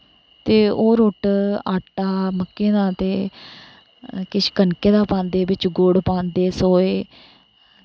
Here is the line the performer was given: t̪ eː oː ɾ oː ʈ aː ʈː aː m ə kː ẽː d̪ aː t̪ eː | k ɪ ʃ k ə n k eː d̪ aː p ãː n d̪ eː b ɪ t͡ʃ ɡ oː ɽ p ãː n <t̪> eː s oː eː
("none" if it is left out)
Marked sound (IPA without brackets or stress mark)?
d̪